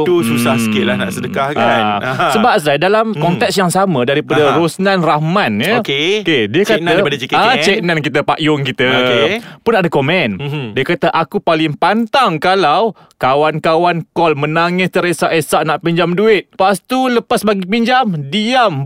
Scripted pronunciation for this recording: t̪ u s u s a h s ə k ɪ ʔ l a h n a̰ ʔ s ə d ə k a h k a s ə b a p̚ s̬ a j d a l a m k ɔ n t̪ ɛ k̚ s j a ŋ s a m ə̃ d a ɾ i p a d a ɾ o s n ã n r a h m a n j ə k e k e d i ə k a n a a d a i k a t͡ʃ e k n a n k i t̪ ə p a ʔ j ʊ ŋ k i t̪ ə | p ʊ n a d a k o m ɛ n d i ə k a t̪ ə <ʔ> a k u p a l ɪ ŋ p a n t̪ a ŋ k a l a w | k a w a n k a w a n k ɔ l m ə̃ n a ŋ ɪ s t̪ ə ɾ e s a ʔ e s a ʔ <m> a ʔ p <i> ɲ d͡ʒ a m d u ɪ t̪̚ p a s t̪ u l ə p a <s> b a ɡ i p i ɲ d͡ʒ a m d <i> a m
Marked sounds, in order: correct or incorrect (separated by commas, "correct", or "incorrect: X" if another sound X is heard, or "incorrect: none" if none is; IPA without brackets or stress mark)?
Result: correct, incorrect: n, correct, correct, correct